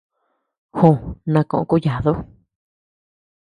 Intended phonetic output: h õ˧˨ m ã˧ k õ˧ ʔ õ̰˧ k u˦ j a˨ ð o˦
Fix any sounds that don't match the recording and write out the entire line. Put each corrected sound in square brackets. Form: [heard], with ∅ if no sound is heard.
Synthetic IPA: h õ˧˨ [n] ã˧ k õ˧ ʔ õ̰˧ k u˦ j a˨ ð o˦